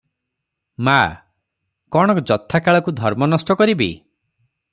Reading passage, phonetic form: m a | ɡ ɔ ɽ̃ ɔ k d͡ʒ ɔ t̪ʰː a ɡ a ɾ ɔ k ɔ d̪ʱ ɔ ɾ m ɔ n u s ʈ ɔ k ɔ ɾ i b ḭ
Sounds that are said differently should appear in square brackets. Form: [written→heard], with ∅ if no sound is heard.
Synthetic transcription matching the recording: m a | [ɡ→k] ɔ ɽ̃ ɔ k d͡ʒ ɔ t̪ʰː a [ɡ→k] a [ɾ→ɭ] ɔ k [ɔ→u] d̪ʱ ɔ ɾ m ɔ n [u→ɔ] s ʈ ɔ k ɔ ɾ i b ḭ